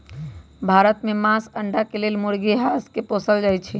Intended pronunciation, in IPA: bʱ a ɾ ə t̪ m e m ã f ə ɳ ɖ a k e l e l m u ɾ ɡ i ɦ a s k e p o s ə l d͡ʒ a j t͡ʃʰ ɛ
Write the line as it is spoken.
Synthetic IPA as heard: bʱ a ɾ ə t̪ m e m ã s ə ɳ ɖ a k e l e l m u ɾ ɡ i ɦ a s k e p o s ə l d͡ʒ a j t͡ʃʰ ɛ